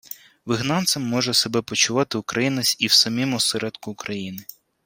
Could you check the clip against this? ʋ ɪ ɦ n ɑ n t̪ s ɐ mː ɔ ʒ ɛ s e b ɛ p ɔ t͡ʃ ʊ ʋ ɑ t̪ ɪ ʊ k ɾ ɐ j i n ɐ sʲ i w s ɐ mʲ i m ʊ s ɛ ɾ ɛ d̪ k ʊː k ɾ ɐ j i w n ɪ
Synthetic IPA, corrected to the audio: ʋ ɪ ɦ n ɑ n t̪ s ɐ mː ɔ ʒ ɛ s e b ɛ p ɔ t͡ʃ ʊ ʋ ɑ t̪ ɪ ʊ k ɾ ɐ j i n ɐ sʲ i w s ɐ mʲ i m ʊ s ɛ ɾ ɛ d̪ k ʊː k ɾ ɐ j i n ɪ

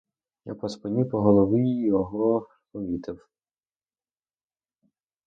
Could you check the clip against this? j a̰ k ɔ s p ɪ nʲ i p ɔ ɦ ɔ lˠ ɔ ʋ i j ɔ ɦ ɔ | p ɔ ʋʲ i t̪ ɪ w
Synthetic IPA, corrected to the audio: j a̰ p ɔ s p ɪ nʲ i p ɔ ɦ ɔ lˠ ɔ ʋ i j ɔ ɦ ɔ | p ɔ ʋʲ i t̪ ɪ w

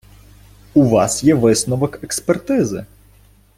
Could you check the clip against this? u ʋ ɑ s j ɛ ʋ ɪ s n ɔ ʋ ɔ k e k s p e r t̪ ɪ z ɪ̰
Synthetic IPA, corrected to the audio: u ʋ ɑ s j ɛ ʋ ɪ s n ɔ ʋ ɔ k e k s p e r t̪ ɪ z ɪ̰

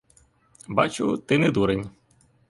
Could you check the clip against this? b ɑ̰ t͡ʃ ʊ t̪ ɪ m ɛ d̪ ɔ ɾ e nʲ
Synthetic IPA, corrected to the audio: b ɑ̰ t͡ʃ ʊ t̪ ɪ n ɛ d̪ u ɾ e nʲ

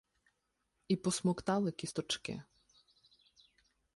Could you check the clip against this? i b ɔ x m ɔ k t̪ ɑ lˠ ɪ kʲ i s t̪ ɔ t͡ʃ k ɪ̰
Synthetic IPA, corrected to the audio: i p ɔ s m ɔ k t̪ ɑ lˠ ɪ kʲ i s t̪ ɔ t͡ʃ k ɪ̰

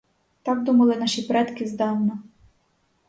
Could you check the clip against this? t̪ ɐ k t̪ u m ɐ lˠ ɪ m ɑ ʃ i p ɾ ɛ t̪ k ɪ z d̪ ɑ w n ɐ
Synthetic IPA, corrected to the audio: t̪ ɑ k d̪ u m ɐ lˠ ɪ n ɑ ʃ i p ɾ ɛ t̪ k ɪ z d̪ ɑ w n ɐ

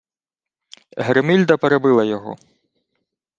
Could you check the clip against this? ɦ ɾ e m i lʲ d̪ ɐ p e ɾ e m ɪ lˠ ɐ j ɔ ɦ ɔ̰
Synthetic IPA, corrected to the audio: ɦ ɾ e m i lʲ d̪ ɐ p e ɾ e b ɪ lˠ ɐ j ɔ ɦ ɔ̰

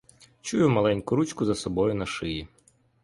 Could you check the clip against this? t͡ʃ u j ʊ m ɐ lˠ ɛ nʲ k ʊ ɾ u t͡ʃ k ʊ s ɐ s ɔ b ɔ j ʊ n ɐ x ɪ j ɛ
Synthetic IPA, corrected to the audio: t͡ʃ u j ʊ m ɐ lˠ ɛ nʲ k ʊ ɾ u t͡ʃ k ʊ z ɐ s ɔ b ɔ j ʊ n ɐ ʃ ɪ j i

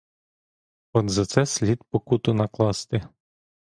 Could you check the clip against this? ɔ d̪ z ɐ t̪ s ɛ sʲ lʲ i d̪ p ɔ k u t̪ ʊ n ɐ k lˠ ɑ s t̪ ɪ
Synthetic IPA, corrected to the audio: ɔ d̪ z ɐ t̪ s ɛ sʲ lʲ i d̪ p ɔ k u t̪ ʊ n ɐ k lˠ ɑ s t̪ ɪ

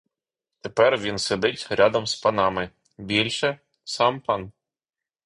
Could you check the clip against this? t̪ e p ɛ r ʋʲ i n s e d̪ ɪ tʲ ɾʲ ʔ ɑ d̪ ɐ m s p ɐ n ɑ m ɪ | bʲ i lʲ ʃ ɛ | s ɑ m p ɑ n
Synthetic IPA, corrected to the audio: t̪ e p ɛ r ʋʲ i n s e d̪ ɪ tʲ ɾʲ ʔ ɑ d̪ ɐ m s p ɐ n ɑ m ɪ | bʲ i lʲ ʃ ɛ | s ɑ m p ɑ n

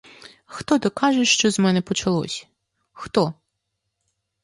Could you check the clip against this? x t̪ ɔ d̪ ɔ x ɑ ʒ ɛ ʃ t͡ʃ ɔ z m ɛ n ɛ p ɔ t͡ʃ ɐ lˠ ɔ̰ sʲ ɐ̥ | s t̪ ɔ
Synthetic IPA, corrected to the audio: x t̪ ɔ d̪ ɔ k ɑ ʒ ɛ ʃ t͡ʃ ɔ z m ɛ n ɛ p ɔ t͡ʃ ɐ lˠ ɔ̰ sʲ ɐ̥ | x t̪ ɔ

